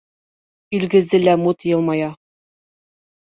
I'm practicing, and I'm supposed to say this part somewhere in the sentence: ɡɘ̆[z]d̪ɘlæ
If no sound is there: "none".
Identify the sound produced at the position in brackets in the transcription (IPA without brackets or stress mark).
z